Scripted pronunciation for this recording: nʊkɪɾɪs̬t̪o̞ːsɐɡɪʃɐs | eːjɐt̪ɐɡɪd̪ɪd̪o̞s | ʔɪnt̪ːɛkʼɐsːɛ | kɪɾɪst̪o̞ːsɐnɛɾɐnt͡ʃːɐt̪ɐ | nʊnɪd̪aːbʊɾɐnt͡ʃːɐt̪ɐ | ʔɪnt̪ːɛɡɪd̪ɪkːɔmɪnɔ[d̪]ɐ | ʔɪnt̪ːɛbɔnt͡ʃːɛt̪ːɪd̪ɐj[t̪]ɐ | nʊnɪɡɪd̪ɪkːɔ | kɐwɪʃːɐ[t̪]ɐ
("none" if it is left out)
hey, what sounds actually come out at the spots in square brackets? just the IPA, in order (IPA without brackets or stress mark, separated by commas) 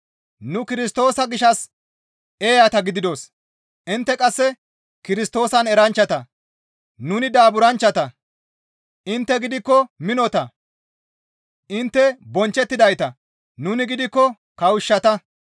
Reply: t̪, t̪, t̪